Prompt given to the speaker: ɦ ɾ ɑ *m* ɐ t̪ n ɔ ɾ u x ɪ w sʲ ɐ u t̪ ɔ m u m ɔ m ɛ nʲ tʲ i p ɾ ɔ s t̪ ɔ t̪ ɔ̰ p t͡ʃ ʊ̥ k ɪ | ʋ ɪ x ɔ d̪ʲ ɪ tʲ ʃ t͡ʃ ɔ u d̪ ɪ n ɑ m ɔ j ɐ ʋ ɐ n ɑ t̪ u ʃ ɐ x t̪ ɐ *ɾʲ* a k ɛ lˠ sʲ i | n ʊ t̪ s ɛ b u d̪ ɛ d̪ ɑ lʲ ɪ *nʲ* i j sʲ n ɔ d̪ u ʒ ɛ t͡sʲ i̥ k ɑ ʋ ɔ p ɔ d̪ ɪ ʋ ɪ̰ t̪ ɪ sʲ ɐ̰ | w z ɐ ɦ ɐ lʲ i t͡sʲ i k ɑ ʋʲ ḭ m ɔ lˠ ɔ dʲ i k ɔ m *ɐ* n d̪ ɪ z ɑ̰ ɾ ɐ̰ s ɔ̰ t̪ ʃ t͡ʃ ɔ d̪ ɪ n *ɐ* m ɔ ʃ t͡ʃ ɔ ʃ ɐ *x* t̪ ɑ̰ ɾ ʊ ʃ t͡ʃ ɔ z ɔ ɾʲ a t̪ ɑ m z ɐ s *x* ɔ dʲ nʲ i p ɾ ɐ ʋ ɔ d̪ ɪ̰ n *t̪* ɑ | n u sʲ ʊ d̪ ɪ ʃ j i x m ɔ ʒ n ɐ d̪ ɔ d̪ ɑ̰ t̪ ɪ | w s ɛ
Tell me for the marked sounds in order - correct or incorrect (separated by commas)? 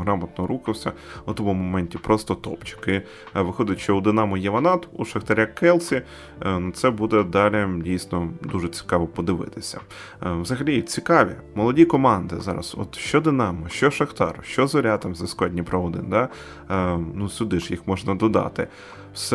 correct, correct, incorrect, incorrect, incorrect, correct, incorrect, incorrect